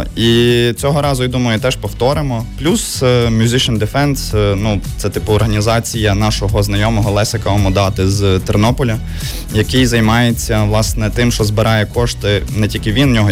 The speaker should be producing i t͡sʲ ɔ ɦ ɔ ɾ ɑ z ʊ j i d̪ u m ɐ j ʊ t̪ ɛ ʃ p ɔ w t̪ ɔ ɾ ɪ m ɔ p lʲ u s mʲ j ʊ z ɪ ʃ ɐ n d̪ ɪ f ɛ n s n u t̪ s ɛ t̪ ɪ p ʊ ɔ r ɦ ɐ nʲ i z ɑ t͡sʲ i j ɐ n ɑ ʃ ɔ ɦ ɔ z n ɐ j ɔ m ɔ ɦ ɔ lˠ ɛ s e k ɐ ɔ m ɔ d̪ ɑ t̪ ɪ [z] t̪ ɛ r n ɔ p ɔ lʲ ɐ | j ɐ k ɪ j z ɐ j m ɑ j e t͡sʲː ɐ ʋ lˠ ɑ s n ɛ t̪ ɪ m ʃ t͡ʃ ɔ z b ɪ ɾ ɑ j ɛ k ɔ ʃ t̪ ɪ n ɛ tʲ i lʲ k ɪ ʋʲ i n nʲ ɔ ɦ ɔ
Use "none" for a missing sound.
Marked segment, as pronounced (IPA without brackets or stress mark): z